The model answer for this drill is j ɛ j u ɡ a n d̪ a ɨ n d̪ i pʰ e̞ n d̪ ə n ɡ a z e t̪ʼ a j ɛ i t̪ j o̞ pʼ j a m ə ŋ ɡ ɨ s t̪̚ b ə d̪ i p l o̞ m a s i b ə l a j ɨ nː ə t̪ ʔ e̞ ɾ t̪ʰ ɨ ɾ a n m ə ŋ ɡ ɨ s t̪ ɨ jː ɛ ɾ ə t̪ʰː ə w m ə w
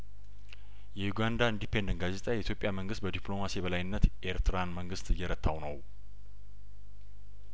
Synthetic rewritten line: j ɛ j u ɡ a n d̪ a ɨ n d̪ i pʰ e̞ n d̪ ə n ɡ a z e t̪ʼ a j ɛ i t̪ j o̞ pʼ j a m ə ŋ ɡ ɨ s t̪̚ b ə d̪ i p l o̞ m a s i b ə l a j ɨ nː ə t̪ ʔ e̞ ɾ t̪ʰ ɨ ɾ a n m ə ŋ ɡ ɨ s t̪ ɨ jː ɛ ɾ ə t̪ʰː a w n ə w

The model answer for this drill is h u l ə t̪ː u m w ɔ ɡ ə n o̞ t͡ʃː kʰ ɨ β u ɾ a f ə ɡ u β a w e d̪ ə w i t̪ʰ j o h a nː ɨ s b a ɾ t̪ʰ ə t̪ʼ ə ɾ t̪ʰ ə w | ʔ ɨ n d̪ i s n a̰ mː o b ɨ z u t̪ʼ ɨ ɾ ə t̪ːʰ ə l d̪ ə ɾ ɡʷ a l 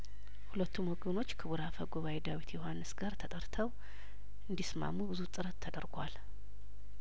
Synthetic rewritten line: h u l ə t̪ː u m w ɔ ɡ ə n o̞ t͡ʃː kʰ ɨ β u ɾ a f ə ɡ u β a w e d̪ a w i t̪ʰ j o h a nː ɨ s ɡ a ɾ t̪ʰ ə t̪ʼ ə ɾ t̪ʰ ə w | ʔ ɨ n d̪ i s m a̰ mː u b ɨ z u t̪ʼ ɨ ɾ ə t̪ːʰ ə d̪ ə ɾ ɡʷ a l

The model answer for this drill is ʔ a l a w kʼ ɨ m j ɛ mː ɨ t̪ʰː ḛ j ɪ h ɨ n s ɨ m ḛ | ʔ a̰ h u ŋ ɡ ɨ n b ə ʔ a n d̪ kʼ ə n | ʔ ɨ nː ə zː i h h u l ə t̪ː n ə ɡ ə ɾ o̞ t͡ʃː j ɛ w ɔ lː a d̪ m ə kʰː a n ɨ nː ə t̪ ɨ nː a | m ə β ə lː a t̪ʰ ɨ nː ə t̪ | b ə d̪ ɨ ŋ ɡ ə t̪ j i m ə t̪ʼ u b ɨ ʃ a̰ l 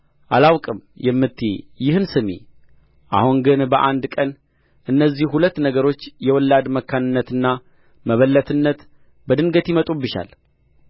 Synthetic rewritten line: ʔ a l a w kʼ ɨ m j ɛ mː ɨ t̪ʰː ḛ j ɪ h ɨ n s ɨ m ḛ | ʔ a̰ h u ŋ ɡ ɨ n b ə ʔ a n d̪ kʼ ə n | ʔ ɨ nː ə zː i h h u l ə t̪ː n ə ɡ ə ɾ o̞ t͡ʃː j ɛ w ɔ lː a d̪ m ə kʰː a n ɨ nː ə t̪ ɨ nː a | m ə β ə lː ə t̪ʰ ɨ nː ə t̪ | b ə d̪ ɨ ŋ ɡ ə t̪ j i m ə t̪ʼ u b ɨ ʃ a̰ l

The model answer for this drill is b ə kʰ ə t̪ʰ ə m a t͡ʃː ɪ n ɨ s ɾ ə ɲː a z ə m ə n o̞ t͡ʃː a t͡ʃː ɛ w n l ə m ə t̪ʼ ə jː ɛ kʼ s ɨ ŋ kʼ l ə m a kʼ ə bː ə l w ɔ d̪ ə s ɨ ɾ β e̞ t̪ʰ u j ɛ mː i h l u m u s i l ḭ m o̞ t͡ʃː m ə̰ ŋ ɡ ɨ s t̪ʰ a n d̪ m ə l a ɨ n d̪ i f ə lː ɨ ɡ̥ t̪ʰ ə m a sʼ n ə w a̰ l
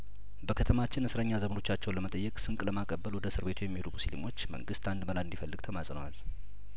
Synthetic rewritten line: b ə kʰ ə t̪ʰ ə m a t͡ʃː ɪ n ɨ s ɾ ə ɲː a z ə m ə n o̞ t͡ʃː a t͡ʃː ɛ w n l ə m ə t̪ʼ ə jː ɛ kʼ s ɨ ŋ kʼ l ə m a kʼ ə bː ə l w ɔ d̪ ə s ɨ ɾ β e̞ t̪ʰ u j ɛ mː i h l u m u s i l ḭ m o̞ t͡ʃː m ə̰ ŋ ɡ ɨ s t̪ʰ a n d̪ m ə l a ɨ n d̪ i f ə lː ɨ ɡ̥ t̪ʰ ə m a sʼ n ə w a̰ l

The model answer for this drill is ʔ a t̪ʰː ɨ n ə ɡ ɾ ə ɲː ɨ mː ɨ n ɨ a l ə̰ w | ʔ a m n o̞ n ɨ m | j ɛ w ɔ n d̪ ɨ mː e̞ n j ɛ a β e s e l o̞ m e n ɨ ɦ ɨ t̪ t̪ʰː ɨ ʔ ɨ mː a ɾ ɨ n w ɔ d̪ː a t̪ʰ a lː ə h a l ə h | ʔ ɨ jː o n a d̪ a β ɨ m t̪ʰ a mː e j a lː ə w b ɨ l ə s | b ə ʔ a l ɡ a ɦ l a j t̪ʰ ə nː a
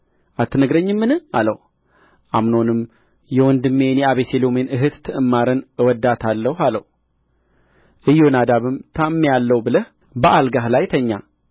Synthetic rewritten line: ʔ a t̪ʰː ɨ n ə ɡ ɾ ə ɲː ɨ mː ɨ n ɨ a l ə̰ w | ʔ a m n o̞ n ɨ m | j ɛ w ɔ n d̪ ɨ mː e̞ n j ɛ a β e s e l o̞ m e n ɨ ɦ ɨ t̪ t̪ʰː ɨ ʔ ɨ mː a ɾ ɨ n w ɔ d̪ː a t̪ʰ a lː ə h a l ə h | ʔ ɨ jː o n a d̪ a β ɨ m t̪ʰ a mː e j a lː ə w b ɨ l ə h | b ə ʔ a l ɡ a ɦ l a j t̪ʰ ə ɲː a

